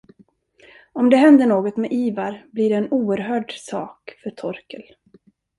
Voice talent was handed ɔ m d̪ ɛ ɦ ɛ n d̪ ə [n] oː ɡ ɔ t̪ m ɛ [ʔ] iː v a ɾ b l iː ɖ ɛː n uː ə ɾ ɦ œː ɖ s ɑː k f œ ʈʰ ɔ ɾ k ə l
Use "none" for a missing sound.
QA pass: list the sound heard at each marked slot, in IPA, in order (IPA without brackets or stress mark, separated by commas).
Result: ɳ, ʔ